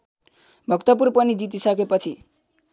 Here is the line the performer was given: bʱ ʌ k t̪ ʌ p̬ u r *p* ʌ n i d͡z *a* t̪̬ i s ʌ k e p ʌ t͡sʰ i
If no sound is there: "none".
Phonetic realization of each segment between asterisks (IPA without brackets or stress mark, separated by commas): p, i